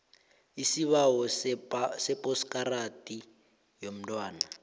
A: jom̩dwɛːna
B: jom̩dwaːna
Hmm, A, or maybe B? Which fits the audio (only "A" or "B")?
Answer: B